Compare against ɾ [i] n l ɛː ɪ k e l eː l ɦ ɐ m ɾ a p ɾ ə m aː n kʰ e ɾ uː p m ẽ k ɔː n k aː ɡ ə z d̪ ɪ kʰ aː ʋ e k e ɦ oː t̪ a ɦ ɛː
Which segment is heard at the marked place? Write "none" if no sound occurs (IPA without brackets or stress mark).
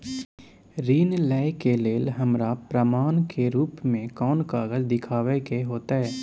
iː